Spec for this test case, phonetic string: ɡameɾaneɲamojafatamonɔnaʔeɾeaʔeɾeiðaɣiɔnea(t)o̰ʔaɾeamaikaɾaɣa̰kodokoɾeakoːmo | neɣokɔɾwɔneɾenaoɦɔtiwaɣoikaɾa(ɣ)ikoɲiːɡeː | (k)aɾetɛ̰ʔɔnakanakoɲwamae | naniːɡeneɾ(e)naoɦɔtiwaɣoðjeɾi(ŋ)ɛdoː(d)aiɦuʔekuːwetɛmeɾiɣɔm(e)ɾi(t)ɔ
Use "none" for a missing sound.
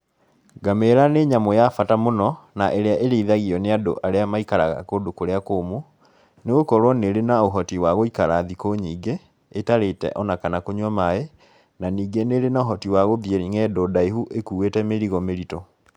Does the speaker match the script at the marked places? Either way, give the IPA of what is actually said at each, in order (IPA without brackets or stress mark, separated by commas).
d, ð, t, e, ŋ, d, e, t